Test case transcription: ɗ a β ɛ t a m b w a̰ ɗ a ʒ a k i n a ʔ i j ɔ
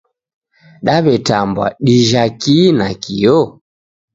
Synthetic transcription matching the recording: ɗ a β ɛ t a m b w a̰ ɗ i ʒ a k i n a k i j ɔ